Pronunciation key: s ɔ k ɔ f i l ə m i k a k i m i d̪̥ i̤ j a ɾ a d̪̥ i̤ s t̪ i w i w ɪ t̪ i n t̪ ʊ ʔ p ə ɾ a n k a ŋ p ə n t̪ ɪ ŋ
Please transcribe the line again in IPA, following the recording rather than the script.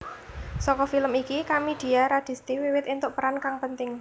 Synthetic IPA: s ɔ k ɔ f i l ə m i k i k a m i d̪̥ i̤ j a ɾ a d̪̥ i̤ s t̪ i w i w ɪ t̪ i n t̪ ʊ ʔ p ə ɾ a n k a ŋ p ə n t̪ ɪ ŋ